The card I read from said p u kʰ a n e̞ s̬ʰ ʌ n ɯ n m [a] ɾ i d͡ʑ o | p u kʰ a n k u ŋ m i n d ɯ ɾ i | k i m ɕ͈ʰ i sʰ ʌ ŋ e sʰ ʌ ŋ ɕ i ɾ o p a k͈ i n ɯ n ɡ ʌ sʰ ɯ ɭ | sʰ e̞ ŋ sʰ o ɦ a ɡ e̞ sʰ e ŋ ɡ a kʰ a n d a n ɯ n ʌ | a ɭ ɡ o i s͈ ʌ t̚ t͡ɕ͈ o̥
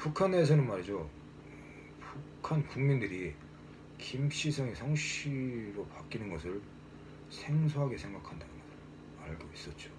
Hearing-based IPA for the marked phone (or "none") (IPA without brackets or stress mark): a